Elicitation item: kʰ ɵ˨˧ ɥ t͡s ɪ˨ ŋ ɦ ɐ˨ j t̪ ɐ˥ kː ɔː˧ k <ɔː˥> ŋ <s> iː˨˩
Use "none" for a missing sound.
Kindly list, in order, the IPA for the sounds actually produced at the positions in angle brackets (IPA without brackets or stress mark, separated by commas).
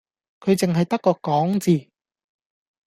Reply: ɔː˨˥, t͡s